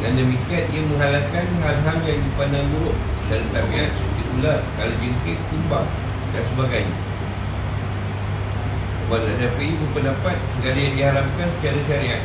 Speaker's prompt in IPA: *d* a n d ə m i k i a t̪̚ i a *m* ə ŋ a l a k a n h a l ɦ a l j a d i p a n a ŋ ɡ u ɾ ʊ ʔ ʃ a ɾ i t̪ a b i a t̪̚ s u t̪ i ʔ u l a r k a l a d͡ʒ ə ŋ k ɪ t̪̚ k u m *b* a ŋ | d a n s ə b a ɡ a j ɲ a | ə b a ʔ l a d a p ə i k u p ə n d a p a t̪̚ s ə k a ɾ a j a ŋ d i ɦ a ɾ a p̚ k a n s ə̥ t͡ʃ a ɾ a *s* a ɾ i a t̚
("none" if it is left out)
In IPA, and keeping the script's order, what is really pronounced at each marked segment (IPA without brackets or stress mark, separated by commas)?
d, m, b, ʃ